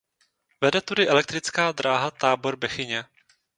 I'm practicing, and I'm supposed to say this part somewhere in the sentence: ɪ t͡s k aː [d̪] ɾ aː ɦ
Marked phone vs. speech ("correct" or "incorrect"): correct